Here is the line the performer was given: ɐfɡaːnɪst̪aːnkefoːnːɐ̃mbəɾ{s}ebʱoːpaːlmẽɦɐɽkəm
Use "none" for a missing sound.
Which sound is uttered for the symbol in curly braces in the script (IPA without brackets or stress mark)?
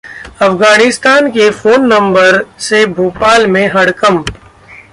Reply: s